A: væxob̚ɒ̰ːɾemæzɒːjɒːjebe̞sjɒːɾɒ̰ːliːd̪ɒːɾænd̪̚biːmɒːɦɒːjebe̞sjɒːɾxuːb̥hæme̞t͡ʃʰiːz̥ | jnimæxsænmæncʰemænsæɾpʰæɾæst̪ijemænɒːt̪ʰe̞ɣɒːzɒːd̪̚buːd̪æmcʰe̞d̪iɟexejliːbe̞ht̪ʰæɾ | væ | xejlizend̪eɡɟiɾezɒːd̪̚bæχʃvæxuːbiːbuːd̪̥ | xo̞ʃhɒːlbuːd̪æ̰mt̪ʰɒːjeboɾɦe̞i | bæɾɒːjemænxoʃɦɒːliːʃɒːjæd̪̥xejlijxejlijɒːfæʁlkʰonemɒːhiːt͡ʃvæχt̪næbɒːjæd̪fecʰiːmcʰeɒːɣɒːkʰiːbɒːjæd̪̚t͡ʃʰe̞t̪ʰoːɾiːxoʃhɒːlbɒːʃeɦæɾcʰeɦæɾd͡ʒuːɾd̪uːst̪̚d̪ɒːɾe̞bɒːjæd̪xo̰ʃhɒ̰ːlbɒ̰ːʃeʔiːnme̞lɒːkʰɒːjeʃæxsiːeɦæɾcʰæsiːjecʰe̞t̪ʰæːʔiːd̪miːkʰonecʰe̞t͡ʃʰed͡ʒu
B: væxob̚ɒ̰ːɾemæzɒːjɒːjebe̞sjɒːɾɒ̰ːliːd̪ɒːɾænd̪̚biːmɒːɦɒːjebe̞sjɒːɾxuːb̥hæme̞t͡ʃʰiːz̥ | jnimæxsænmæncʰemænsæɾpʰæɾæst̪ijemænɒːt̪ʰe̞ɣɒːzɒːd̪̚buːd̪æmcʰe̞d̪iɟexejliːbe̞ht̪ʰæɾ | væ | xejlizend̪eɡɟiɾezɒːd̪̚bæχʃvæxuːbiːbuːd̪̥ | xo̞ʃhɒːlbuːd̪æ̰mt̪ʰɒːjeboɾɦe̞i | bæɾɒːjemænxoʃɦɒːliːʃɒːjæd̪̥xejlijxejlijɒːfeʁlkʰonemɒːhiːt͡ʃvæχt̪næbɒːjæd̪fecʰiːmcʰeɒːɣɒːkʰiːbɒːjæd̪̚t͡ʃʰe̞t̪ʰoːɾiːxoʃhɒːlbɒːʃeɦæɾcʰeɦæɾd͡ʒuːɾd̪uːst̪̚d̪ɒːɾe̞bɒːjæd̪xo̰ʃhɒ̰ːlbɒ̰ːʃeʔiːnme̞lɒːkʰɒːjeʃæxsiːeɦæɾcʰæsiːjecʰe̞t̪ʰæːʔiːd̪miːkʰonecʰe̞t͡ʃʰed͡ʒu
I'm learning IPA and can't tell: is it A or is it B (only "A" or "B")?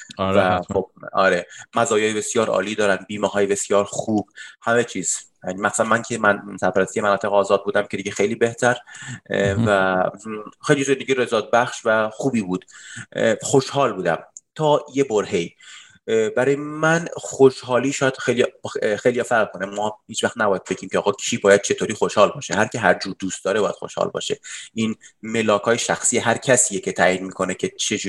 A